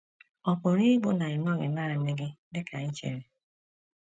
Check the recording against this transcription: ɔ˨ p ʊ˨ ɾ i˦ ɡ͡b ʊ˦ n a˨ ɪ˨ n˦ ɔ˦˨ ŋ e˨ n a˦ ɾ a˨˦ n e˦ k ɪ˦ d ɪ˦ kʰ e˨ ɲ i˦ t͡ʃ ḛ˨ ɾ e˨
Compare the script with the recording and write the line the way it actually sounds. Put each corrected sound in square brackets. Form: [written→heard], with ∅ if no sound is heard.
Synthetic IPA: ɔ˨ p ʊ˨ ɾ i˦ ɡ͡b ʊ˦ n a˨ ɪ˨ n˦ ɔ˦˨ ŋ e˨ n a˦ ɾ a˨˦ n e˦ [k→ɡ] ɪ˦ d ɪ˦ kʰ [e˨→a˨] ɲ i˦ t͡ʃ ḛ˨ ɾ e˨